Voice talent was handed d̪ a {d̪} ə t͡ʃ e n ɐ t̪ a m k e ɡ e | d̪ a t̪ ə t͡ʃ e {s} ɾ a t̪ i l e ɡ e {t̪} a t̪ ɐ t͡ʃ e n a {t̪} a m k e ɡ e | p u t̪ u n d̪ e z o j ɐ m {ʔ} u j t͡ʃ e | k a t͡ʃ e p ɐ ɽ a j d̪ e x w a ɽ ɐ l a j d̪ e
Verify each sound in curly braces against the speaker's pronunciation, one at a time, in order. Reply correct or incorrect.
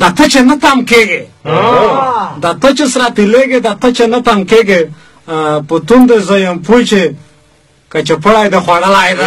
incorrect: t̪, correct, incorrect: d̪, correct, incorrect: p

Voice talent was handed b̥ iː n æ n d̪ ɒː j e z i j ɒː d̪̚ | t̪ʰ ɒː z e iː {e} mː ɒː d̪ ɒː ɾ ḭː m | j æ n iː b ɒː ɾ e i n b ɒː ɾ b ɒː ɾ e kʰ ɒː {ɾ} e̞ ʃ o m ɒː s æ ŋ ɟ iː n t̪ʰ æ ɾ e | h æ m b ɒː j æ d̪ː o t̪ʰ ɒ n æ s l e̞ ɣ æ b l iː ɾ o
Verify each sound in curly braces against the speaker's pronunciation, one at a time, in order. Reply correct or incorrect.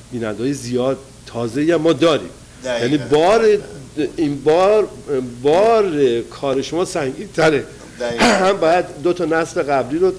incorrect: æ, correct

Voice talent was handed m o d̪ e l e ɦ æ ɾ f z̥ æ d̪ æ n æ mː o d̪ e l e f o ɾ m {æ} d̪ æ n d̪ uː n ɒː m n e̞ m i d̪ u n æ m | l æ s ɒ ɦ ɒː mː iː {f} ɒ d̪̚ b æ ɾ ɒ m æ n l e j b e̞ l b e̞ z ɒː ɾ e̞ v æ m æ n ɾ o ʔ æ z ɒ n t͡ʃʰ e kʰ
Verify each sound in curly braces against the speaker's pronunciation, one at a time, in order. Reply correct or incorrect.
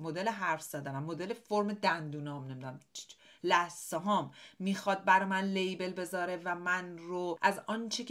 incorrect: e, incorrect: x

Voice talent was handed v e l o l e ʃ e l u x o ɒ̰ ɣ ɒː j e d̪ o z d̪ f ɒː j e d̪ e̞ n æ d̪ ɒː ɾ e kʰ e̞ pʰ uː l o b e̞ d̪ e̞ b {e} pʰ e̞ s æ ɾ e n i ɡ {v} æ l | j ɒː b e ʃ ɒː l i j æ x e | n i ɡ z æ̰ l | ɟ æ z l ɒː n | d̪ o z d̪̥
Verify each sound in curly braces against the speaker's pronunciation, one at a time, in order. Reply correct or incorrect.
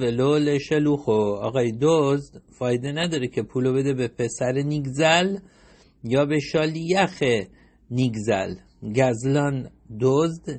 correct, incorrect: z

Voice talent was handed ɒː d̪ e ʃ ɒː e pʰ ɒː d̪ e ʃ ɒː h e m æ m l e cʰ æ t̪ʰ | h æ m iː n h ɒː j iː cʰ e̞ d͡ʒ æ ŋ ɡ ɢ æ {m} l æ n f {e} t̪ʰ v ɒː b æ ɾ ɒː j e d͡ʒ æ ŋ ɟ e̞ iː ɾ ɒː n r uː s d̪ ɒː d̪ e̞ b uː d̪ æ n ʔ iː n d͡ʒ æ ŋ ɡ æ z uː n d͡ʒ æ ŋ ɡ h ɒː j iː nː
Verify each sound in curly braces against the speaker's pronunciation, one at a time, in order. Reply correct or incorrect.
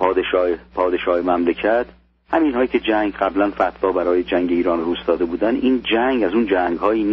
incorrect: b, incorrect: æ

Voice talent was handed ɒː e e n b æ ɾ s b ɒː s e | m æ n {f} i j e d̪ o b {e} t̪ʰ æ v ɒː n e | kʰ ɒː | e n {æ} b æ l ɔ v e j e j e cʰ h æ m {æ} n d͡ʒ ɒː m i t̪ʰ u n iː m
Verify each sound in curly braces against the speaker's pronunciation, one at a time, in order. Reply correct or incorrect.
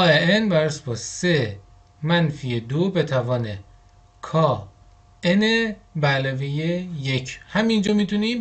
correct, correct, incorrect: e, incorrect: i

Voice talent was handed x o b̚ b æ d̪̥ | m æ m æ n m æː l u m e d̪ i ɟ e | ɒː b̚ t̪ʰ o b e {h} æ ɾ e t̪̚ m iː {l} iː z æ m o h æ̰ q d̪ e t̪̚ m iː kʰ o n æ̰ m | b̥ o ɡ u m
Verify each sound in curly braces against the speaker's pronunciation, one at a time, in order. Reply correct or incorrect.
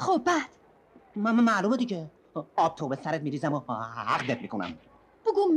incorrect: s, incorrect: ɾ

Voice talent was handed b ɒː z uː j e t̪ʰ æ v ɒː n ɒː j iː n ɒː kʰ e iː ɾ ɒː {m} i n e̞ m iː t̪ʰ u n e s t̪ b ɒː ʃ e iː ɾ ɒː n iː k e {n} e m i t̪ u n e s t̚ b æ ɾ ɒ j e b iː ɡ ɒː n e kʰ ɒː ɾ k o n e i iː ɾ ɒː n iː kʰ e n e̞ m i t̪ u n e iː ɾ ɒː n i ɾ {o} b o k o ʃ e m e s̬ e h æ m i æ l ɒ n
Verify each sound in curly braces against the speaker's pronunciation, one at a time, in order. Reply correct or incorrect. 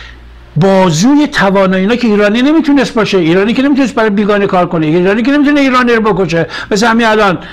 incorrect: n, correct, correct

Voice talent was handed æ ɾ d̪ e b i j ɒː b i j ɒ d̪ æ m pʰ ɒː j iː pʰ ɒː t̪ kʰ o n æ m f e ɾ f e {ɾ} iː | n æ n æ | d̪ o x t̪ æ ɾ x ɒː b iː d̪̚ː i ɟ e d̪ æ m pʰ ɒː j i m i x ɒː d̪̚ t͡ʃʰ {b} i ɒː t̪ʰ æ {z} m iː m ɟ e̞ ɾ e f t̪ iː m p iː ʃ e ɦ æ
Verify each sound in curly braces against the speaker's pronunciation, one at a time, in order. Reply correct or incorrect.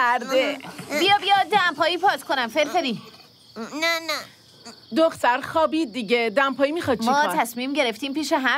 correct, incorrect: m, incorrect: s

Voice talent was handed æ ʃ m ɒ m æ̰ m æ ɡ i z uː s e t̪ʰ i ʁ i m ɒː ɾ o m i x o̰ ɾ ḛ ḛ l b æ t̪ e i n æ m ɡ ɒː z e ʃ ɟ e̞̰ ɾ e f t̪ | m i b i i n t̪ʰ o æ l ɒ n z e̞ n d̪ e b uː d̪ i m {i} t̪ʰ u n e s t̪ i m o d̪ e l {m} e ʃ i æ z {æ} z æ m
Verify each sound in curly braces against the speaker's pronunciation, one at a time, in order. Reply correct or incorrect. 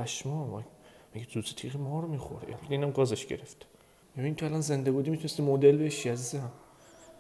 correct, incorrect: b, incorrect: i

